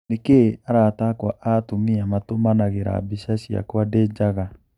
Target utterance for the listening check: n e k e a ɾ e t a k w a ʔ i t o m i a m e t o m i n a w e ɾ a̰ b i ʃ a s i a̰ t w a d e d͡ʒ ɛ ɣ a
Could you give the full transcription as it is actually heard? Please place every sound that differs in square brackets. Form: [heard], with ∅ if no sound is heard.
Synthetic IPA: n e k e a ɾ [a] t a k w a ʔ [a] t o m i a m [a] t o m [a] n a [ɣ] e ɾ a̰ b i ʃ a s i a̰ [k] w a d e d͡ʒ [a] ɣ a

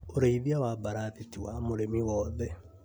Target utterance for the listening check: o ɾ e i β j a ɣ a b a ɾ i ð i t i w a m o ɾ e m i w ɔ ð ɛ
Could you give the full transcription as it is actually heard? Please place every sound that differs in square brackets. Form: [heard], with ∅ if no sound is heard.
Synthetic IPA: o ɾ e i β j a [w] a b a ɾ [a] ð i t i w a m o ɾ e m i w ɔ ð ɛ

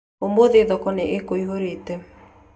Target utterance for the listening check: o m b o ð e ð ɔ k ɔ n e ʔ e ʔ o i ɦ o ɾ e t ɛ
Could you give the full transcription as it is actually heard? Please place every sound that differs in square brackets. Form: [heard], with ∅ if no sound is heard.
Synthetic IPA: o m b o ð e ð ɔ k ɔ n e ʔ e [k] o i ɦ o ɾ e t ɛ

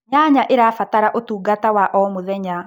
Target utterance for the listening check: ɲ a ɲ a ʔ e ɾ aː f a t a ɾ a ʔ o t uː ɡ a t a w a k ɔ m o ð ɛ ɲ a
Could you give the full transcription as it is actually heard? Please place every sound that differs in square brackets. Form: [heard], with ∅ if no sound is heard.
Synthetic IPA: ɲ a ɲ a ʔ e ɾ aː f a t a ɾ a ʔ o t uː ɡ a t a w a [ʔ] ɔ m o ð ɛ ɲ a

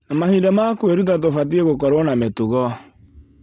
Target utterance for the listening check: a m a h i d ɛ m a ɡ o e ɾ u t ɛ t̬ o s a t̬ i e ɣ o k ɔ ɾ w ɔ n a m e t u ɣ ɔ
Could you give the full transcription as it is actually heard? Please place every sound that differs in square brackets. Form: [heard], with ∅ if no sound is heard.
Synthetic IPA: a m a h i d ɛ m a [k] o e ɾ u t [a] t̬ o [f] a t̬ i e ɣ o k ɔ ɾ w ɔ n a m e t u ɣ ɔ

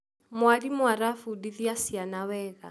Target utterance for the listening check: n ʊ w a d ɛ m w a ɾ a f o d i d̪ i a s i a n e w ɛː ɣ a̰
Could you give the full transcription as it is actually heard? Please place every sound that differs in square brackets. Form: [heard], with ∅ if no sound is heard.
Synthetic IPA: [m] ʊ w a d [i] m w a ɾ a f [u] d i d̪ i a s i a n [a] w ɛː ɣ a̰

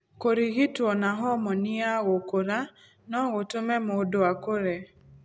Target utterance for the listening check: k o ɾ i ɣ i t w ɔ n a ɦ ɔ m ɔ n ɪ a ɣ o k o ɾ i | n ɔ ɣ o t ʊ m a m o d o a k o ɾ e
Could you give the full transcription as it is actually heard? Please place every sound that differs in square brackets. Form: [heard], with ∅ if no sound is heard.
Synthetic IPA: k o ɾ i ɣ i t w ɔ n a ɦ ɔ m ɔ n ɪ a ɣ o k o ɾ [a] | n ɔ ɣ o t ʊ m [ɛ] m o d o a k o ɾ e

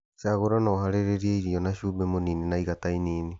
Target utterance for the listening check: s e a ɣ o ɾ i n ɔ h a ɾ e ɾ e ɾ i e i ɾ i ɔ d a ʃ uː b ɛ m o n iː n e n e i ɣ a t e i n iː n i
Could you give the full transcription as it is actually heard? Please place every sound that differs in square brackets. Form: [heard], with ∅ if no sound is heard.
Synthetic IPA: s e a ɣ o ɾ [a] n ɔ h a ɾ e ɾ e ɾ i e i ɾ i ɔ [n] a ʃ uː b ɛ m o n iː n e n [a] i ɣ a t [a] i n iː n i

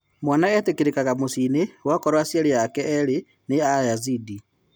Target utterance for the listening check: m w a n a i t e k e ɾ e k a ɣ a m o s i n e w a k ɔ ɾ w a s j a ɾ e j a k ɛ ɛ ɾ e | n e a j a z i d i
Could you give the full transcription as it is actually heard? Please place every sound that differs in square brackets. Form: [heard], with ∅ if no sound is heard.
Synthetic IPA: m w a n a [ɛ] t e k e ɾ e k a ɣ a m o s i n e w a k ɔ ɾ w a s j a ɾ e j a k ɛ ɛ ɾ e | n e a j a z i d i

